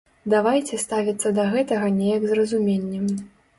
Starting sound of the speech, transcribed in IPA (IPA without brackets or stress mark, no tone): d̪